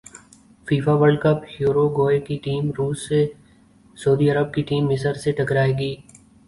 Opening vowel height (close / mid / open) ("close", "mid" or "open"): close